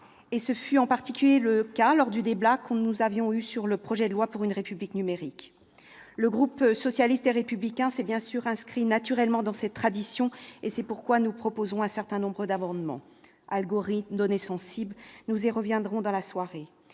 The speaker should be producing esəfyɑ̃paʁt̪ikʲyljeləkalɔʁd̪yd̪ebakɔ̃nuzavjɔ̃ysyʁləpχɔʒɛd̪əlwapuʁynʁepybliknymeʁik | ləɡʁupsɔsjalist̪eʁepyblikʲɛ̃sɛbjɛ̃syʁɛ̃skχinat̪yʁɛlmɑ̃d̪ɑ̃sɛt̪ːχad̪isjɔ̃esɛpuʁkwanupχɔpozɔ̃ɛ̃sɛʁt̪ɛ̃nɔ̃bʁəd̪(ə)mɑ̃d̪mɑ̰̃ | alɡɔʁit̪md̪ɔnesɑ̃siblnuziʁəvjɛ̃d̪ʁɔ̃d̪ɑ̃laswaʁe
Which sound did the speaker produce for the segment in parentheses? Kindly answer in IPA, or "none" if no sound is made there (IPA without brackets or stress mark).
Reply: a